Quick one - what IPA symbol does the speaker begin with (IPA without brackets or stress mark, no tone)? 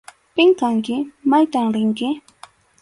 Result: p